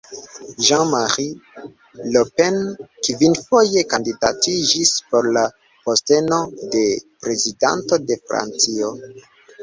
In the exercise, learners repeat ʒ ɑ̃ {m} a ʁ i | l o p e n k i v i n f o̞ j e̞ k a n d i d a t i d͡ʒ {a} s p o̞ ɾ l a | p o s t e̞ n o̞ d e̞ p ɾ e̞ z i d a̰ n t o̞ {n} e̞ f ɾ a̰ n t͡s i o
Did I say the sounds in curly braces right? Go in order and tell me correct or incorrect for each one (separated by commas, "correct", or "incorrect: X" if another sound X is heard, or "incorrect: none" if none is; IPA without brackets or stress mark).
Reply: correct, incorrect: i, incorrect: d